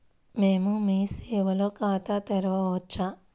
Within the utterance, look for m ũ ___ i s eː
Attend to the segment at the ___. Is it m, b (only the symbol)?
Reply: m